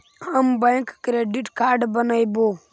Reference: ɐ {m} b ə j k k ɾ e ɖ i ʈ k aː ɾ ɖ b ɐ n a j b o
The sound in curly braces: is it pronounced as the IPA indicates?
yes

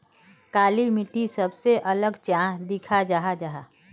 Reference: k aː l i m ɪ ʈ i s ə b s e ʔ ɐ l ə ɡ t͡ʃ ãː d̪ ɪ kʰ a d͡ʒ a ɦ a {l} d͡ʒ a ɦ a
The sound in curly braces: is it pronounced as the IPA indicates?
no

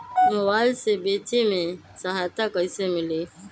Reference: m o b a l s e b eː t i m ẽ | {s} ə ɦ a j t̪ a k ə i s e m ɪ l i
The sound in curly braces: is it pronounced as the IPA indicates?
yes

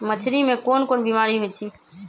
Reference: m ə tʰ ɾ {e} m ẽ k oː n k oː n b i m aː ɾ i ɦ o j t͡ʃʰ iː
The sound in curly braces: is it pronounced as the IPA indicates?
no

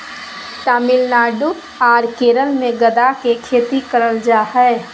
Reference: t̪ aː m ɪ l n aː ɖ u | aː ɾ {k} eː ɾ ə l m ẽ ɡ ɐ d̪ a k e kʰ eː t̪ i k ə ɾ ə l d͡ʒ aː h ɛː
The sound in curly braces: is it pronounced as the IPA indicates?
yes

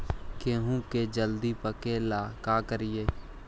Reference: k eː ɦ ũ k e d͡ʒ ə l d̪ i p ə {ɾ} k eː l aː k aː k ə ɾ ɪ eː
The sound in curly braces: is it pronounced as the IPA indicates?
no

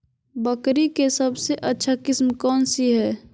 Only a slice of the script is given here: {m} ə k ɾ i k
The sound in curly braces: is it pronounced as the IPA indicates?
no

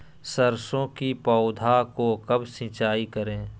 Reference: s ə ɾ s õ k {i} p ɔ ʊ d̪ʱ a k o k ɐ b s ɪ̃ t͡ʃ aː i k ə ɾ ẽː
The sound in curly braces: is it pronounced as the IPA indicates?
yes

